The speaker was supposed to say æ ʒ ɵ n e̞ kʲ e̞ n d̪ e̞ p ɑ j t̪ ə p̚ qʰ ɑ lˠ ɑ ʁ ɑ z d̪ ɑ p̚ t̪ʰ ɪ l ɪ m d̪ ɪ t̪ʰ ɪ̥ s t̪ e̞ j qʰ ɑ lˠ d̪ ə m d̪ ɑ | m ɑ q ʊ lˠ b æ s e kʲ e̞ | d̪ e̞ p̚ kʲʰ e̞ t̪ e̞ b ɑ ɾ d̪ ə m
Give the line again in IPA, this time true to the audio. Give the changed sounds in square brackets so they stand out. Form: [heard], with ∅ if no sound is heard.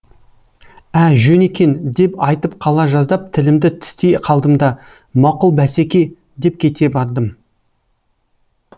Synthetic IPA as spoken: æ ʒ ɵ n e̞ kʲ e̞ n d̪ e̞ p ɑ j t̪ ə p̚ qʰ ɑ lˠ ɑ [ʒ] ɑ z d̪ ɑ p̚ t̪ʰ ɪ l ɪ m d̪ ɪ t̪ʰ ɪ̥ s t̪ e̞ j qʰ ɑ lˠ d̪ ə m d̪ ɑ | m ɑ q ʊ lˠ b æ s e kʲ e̞ | d̪ e̞ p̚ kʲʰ e̞ t̪ e̞ b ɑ ɾ d̪ ə m